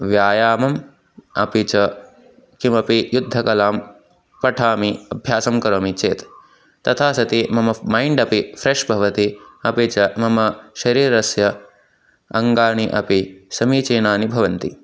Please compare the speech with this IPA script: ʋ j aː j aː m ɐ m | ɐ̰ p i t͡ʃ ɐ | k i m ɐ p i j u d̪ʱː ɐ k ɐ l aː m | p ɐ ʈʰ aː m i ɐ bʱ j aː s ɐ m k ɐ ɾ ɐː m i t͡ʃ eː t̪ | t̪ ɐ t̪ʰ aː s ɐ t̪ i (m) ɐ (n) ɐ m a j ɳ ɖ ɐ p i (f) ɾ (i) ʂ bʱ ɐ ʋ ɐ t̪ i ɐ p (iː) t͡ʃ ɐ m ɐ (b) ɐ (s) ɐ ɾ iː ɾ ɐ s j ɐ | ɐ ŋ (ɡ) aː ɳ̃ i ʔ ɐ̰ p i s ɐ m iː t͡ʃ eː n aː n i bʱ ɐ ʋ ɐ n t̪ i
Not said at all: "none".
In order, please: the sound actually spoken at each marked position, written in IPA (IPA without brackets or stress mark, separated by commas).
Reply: m, m, f, e, i, m, ʃ, ɡ